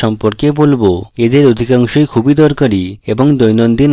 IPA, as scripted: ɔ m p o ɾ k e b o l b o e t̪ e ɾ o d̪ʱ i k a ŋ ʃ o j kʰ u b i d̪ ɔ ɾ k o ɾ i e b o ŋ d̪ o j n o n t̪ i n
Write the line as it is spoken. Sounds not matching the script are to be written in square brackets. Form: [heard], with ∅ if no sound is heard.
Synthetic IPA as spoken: ɔ m p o ɾ k e b o l b o e [d̪] e ɾ o d̪ʱ i k a ŋ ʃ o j kʰ u b i d̪ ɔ ɾ k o ɾ i e b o ŋ d̪ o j n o n [d̪] i n